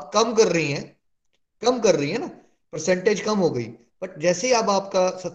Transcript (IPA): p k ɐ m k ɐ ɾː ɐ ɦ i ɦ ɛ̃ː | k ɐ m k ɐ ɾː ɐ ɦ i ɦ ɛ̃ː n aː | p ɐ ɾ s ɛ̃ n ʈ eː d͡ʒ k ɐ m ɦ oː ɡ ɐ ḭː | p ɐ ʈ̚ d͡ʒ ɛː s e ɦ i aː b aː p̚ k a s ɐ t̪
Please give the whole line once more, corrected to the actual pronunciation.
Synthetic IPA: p k ɐ m k ɐ ɾː ɐ ɦ i ɦ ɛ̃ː | k ɐ m k ɐ ɾː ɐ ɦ i ɦ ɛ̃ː n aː | p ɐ ɾ s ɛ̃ ɳ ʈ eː d͡ʒ k ɐ m ɦ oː ɡ ɐ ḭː | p ɐ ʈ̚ d͡ʒ ɛː s e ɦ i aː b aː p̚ k a s ɐ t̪